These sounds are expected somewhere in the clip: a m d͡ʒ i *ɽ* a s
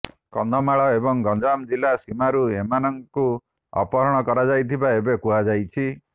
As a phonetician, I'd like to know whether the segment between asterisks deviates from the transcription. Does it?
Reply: yes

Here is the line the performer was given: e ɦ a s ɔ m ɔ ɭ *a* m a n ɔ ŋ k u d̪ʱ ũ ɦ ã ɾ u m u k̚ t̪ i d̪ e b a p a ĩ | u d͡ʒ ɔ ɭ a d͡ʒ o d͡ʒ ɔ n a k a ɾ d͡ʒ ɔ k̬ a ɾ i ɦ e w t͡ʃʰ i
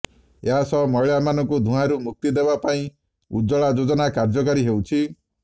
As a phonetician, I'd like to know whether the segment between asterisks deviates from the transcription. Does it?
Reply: no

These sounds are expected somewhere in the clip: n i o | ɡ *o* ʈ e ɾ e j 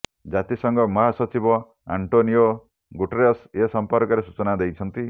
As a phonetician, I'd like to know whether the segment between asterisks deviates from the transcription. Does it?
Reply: yes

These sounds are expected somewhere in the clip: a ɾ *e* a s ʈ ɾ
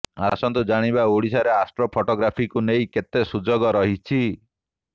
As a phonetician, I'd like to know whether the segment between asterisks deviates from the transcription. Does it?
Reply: no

